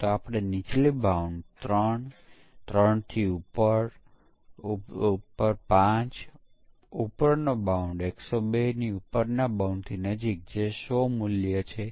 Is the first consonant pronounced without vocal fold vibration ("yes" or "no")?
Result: yes